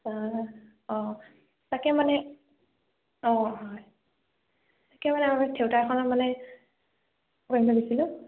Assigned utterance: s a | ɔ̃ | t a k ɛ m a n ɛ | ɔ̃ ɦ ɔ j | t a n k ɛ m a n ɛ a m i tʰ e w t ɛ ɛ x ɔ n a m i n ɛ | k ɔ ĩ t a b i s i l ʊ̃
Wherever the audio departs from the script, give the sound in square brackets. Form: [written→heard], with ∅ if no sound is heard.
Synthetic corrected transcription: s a | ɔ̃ | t a k ɛ m a n ɛ | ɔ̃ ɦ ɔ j | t a [n→∅] k ɛ m a n ɛ a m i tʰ e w t [ɛ→a] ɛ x ɔ n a m [i→a] n ɛ | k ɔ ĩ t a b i s i l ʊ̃

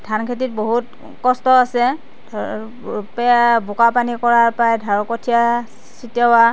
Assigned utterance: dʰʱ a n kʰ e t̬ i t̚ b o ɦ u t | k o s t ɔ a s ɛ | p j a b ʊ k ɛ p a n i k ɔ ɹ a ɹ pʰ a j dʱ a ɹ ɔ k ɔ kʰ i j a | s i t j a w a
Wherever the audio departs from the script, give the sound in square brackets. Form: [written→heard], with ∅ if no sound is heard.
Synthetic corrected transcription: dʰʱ a n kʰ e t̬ i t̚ b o ɦ u t | k [o→ɔ] s t ɔ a s ɛ | p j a b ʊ k [ɛ→a] p a n i k ɔ ɹ a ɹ [pʰ→p] a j dʱ a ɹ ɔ k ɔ [kʰ→tʰ] i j a | s i t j a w a

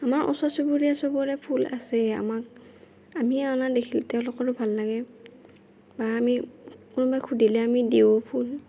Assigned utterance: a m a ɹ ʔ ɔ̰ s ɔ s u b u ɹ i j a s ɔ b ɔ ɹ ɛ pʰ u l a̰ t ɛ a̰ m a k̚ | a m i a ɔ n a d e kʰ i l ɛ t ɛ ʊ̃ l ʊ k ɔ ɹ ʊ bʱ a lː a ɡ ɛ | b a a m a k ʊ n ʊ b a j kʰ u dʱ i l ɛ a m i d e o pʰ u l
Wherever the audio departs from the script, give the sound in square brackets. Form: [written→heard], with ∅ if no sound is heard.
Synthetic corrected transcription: a m a ɹ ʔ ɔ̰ s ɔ s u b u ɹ i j a s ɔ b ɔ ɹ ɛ pʰ u l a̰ [t→s] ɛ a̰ m a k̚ | a m i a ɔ n a d e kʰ i l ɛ t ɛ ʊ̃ l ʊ k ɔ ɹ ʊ bʱ a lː a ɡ ɛ | b a a m [a→i] k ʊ n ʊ b a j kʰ u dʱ i l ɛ a m i d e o pʰ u l

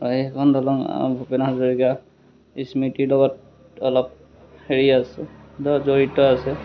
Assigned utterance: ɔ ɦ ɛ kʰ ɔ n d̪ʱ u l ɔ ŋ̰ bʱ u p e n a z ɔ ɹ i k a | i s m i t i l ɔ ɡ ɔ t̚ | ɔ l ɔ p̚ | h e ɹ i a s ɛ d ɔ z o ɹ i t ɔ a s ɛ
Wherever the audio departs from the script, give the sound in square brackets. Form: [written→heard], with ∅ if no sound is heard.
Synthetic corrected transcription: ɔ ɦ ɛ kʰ ɔ n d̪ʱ [u→ɔ] l ɔ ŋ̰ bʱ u p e n a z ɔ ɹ i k a | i s m i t i l ɔ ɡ ɔ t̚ | ɔ l ɔ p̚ | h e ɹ i a s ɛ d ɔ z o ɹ i t ɔ a s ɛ

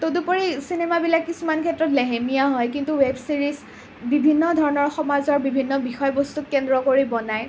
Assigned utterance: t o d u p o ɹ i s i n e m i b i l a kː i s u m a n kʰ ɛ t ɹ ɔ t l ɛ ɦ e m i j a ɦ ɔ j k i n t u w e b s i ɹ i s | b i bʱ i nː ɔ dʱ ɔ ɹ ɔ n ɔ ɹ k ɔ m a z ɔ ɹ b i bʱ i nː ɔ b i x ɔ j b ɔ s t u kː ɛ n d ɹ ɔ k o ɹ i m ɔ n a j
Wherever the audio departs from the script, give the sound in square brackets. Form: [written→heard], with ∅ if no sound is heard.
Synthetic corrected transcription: t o d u p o ɹ i s i n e m [i→a] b i l a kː i s u m a n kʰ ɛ t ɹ ɔ t l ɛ ɦ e m i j a ɦ ɔ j k i n t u w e b s i ɹ i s | b i bʱ i nː ɔ dʱ ɔ ɹ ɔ n ɔ ɹ [k→x] ɔ m a z ɔ ɹ b i bʱ i nː ɔ b i x ɔ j b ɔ s t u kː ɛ n d ɹ ɔ k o ɹ i [m→b] ɔ n a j

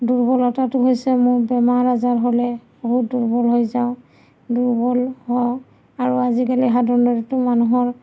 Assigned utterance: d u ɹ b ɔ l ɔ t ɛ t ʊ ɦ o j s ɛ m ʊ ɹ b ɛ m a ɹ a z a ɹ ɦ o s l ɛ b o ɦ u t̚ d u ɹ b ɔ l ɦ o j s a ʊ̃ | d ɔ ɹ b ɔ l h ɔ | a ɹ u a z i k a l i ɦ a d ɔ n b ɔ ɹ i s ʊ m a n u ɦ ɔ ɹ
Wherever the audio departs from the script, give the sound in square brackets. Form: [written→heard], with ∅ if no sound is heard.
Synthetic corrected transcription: d u ɹ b ɔ l ɔ t [ɛ→a] t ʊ ɦ o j s ɛ m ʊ ɹ b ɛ m a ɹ a z a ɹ ɦ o [s→∅] l ɛ b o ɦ u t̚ d u ɹ b ɔ l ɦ o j [s→z] a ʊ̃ | d [ɔ→u] ɹ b ɔ l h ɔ | a ɹ u a z i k a l i ɦ a d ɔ n [b→d] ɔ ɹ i [s→t] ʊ m a n u ɦ ɔ ɹ

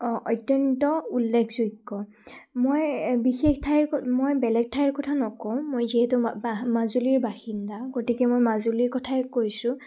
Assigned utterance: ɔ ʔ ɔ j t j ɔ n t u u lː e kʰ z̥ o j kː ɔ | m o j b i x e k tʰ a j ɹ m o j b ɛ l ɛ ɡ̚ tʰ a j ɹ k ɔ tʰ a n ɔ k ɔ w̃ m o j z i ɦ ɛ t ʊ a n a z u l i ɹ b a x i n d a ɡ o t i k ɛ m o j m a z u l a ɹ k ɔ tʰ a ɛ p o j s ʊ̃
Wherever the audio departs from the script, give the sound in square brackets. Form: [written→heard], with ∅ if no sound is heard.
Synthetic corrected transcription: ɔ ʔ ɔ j t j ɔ n t [u→ɔ] u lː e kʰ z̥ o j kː ɔ | m o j b i x e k tʰ a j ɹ m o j b ɛ l ɛ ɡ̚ tʰ a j ɹ k ɔ tʰ a n ɔ k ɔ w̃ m o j z i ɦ ɛ t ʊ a [n→m] a z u l i ɹ b a x i n d a ɡ o t i k ɛ m o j m a z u l [a→i] ɹ k ɔ tʰ a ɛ [p→k] o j s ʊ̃

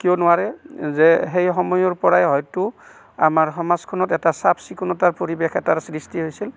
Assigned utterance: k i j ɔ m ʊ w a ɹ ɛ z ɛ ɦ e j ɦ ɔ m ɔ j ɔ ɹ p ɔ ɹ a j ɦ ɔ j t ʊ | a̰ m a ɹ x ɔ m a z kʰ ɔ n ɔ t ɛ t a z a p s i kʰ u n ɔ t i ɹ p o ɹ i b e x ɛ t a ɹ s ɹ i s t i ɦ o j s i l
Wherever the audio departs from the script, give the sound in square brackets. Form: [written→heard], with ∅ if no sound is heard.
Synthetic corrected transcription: k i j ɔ [m→n] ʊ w a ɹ ɛ z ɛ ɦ e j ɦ ɔ m ɔ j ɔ ɹ p ɔ ɹ a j ɦ ɔ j t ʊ | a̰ m a ɹ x ɔ m a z kʰ ɔ n ɔ t ɛ t a [z→s] a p s i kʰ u n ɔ t [i→a] ɹ p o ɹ i b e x ɛ t a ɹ s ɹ i s t i ɦ o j s i l

